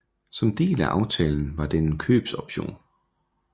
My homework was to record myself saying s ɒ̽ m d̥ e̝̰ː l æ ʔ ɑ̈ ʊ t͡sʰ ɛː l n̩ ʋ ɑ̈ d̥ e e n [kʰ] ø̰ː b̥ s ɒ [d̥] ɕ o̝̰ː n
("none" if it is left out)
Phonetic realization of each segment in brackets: kʰ, b̥

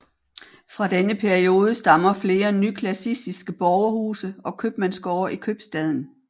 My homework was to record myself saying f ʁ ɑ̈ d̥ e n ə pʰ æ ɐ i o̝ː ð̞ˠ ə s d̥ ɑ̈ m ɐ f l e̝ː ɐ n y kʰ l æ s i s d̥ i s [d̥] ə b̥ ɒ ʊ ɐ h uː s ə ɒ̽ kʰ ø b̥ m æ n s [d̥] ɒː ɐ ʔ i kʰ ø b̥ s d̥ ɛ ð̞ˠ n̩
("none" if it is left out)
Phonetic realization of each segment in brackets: ɡ̥, ɡ̥

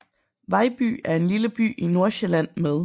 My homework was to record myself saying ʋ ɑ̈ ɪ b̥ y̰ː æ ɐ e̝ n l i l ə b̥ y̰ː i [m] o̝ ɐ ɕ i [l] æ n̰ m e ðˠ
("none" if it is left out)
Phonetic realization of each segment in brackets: n, l

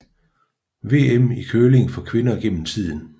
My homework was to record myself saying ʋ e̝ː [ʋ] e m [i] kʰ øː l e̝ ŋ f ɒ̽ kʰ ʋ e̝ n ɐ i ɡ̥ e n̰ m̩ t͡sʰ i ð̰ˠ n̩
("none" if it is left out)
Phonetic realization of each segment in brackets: none, i

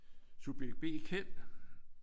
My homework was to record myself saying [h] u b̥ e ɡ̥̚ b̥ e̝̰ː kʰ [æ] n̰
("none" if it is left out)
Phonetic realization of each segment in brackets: s, e

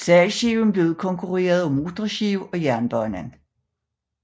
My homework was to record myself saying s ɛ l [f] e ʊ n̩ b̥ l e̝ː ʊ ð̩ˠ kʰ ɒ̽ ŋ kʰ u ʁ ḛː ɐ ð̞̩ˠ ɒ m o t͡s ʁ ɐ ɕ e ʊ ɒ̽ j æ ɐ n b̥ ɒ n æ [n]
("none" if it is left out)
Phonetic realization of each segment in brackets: ɕ, n

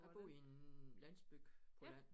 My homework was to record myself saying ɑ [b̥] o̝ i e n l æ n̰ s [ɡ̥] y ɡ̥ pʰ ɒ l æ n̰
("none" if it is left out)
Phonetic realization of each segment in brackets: b̥, b̥

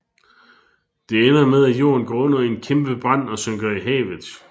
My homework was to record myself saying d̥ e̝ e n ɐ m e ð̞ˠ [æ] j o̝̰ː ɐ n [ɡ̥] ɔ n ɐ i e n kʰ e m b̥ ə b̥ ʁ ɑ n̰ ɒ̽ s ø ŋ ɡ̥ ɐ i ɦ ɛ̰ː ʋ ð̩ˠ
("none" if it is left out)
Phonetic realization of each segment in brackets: æ, ɡ̥

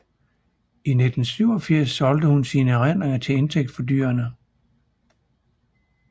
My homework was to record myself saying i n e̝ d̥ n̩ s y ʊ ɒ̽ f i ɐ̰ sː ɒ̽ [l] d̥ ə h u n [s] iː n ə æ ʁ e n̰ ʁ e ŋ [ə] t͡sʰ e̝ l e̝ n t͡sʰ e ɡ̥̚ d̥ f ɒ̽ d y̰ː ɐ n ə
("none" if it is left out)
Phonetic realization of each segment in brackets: l, s, ɐ

